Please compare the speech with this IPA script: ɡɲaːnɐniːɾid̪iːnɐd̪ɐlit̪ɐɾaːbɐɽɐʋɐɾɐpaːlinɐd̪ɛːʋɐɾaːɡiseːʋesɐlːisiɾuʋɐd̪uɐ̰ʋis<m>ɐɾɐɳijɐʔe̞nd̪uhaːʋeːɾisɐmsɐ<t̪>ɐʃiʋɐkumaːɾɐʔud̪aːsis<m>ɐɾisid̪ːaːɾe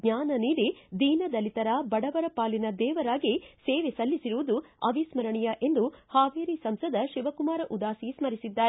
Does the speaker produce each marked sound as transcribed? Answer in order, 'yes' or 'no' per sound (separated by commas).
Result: yes, no, yes